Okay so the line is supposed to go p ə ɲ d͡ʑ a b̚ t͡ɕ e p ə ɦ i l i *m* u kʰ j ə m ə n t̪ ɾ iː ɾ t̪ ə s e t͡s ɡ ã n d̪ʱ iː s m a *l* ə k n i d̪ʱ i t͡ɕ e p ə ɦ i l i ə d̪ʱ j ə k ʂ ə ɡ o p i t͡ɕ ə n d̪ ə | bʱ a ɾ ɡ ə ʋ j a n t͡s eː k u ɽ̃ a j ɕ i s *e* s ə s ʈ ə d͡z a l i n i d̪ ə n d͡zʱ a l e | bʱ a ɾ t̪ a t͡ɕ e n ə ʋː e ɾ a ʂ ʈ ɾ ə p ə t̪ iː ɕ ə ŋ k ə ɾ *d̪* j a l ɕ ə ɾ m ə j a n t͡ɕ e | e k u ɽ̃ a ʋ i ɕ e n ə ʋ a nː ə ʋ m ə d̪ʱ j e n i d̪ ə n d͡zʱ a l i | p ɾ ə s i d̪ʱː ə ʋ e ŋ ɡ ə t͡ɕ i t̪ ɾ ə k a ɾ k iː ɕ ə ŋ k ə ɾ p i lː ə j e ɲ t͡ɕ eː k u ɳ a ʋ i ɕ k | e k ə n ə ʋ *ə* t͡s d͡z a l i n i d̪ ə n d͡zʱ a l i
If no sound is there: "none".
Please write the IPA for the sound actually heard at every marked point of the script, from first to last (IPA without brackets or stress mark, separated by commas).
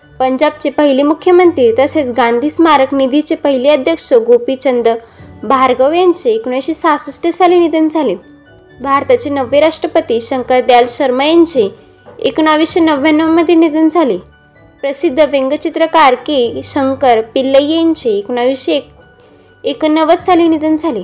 m, ɾ, a, d̪, ə